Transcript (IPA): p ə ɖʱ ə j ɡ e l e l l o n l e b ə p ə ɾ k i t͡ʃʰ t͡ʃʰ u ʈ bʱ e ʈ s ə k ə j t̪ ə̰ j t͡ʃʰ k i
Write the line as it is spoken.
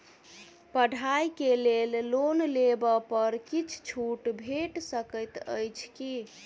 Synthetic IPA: p ə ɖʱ a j k e l e l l o n l e b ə p ə ɾ k i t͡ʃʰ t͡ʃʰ u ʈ bʱ e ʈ s ə k ə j t̪ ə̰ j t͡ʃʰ k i

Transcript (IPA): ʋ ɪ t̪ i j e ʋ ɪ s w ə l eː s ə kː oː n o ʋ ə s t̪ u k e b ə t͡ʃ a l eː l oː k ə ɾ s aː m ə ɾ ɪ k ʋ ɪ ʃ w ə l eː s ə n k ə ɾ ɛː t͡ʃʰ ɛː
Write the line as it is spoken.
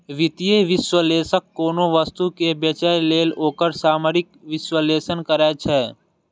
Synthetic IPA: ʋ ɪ t̪ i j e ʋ ɪ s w ə l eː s ə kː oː n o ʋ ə s t̪ u k e b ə t͡ʃ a l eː l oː k ə ɾ s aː m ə ɾ ɪ k ʋ ɪ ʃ w ə l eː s ə n k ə ɾ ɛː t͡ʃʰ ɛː

